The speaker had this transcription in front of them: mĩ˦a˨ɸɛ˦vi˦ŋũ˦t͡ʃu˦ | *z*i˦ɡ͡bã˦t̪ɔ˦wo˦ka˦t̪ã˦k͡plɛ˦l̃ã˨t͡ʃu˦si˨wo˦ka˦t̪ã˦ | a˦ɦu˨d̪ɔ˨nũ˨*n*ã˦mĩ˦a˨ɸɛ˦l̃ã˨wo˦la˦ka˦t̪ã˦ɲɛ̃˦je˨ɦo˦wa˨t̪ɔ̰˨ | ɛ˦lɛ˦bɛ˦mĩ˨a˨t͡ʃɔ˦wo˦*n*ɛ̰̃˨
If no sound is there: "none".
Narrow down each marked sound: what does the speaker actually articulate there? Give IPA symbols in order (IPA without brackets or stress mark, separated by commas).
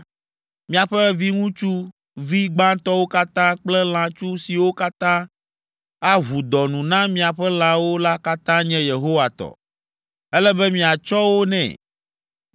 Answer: v, n, n